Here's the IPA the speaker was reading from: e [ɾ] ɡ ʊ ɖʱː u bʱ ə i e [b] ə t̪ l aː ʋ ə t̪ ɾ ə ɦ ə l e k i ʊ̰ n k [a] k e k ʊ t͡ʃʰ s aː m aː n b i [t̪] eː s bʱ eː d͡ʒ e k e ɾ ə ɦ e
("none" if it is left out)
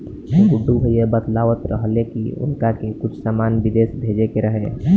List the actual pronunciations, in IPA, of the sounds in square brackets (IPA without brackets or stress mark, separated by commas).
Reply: none, b, a, d̪